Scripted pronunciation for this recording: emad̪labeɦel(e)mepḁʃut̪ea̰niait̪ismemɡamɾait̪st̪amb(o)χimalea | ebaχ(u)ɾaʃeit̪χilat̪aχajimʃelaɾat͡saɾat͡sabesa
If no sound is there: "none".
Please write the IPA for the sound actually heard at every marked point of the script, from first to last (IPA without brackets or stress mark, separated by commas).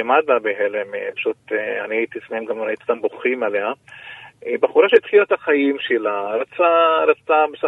e, o, u